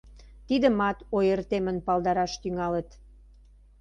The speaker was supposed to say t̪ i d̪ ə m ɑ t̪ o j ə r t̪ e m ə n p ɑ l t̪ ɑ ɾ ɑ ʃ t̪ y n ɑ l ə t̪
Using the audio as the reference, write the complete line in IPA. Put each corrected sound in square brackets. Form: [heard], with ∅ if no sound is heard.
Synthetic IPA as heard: t̪ i d̪ ə m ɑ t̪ o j ə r t̪ e m ə n p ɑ l [d̪] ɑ ɾ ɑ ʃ t̪ y [ŋ] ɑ l ə t̪